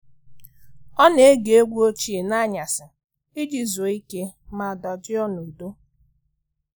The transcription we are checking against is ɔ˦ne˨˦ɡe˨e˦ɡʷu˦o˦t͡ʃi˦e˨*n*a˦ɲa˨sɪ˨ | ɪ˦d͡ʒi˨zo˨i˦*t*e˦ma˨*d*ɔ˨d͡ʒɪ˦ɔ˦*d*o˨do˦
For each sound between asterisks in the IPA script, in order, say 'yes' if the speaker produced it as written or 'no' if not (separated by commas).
yes, no, yes, no